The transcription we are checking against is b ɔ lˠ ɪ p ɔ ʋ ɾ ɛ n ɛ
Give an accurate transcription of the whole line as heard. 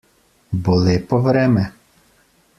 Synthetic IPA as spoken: b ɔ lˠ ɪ p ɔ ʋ ɾ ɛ m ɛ